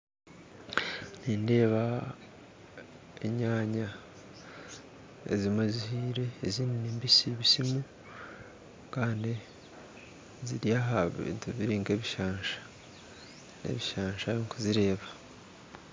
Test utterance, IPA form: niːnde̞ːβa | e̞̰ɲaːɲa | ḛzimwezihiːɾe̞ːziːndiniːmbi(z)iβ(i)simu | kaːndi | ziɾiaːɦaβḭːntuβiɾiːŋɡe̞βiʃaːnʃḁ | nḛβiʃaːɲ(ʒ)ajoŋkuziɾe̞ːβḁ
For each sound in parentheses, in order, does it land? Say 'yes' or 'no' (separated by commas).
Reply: no, yes, no